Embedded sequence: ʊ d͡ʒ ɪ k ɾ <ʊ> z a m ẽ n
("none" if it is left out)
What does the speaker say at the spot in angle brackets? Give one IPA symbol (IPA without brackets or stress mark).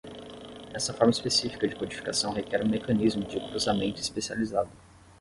u